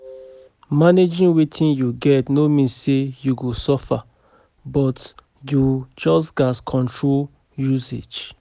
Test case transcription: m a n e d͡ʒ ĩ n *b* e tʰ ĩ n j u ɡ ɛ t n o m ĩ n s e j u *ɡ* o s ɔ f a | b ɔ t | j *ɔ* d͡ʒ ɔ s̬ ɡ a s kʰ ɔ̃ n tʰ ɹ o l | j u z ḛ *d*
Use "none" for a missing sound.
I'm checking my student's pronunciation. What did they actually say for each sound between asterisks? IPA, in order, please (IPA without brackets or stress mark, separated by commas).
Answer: w, ɡ, u, d͡ʒ